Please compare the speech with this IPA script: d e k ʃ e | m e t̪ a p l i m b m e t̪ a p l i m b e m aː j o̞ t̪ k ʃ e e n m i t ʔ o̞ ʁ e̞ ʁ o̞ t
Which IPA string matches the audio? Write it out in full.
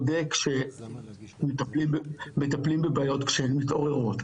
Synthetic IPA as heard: d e k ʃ e | m e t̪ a p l i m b m e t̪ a p l i m b e b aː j o̞ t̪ k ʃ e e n m i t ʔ o̞ ʁ e̞ ʁ o̞ t